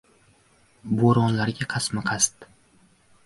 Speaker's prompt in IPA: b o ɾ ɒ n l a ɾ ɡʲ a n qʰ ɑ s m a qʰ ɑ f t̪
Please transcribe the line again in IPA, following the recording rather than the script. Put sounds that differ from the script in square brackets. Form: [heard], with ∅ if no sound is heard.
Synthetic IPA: b o ɾ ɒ n l a ɾ ɡʲ a [∅] qʰ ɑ s m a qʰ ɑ [s] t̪